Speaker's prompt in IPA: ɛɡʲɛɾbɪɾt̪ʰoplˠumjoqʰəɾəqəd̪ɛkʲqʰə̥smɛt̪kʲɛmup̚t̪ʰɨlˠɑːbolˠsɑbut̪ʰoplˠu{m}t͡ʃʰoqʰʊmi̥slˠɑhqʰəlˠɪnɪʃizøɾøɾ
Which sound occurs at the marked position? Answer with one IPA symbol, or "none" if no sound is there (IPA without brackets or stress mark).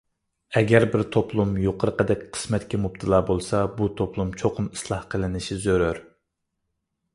m